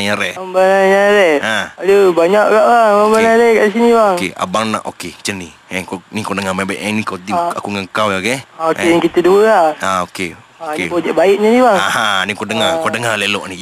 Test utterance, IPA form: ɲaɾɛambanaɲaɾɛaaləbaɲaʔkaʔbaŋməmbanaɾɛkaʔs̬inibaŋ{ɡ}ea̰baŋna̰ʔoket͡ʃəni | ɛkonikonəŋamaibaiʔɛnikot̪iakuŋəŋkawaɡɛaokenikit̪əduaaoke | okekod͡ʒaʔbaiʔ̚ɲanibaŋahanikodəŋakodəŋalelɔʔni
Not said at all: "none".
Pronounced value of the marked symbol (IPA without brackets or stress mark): k